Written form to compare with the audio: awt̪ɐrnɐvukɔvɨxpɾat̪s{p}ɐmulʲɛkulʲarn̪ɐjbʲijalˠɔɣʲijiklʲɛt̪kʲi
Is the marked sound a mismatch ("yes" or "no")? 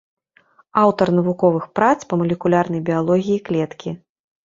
no